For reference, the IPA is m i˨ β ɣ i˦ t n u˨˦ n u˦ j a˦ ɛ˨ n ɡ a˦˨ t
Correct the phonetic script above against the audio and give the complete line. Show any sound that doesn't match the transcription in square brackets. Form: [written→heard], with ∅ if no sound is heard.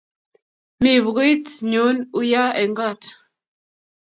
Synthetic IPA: m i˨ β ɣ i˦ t [n→ɲ] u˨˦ n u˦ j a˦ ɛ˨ [n→ŋ] ɡ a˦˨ t